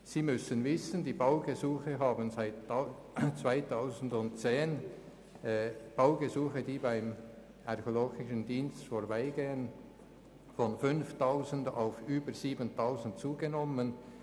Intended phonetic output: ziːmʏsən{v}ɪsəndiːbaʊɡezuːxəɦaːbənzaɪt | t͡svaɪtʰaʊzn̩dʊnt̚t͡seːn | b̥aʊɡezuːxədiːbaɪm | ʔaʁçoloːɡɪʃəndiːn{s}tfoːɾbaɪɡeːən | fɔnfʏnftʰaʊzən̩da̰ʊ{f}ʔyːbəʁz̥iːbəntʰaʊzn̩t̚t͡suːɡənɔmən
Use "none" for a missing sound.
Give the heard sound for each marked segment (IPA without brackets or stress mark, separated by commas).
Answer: v, s, f